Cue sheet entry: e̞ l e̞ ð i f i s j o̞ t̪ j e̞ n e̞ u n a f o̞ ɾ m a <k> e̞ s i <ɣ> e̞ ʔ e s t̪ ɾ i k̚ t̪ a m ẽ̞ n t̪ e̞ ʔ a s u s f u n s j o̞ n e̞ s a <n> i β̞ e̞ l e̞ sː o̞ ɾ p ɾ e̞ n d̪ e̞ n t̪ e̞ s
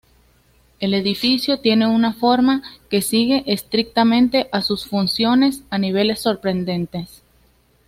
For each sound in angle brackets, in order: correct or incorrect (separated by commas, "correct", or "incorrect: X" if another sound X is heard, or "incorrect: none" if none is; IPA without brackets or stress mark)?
correct, correct, correct